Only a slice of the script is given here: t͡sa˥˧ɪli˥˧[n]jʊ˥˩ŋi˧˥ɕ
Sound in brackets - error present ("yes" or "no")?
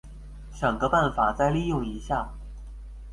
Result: yes